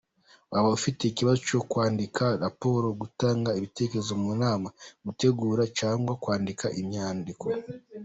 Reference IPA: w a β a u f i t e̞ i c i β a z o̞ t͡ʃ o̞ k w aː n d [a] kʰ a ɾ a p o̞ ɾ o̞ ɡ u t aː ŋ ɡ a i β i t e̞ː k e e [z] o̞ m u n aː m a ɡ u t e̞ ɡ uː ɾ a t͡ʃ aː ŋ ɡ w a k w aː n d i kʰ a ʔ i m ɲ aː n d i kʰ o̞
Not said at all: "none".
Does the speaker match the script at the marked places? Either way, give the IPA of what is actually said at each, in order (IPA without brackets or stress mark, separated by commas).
i, z